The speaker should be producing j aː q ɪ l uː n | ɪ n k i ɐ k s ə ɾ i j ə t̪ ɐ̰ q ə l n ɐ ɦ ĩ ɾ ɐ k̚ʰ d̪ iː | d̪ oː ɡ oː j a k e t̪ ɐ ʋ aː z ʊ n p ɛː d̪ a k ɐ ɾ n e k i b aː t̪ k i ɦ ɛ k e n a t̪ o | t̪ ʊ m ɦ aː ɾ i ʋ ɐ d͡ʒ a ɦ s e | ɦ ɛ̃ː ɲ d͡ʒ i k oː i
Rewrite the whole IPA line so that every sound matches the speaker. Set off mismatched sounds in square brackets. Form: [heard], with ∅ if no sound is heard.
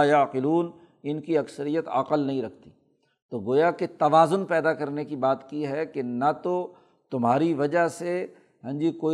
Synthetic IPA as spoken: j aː q ɪ l uː n | ɪ n k i ɐ k s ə ɾ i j ə t̪ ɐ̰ q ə l n ɐ ɦ ĩ ɾ ɐ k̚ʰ [t̪] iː | [t̪] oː ɡ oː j a k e t̪ ɐ ʋ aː z ʊ n p ɛː d̪ a k ɐ ɾ n e k i b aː t̪ k i ɦ ɛ k e n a t̪ o | t̪ ʊ m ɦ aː ɾ i ʋ ɐ d͡ʒ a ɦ s e | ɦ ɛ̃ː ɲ d͡ʒ i k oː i